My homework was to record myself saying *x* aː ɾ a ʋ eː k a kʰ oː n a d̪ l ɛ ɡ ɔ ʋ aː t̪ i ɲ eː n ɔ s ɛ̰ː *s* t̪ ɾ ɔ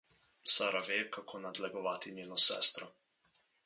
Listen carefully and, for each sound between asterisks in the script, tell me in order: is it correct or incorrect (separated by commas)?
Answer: incorrect, correct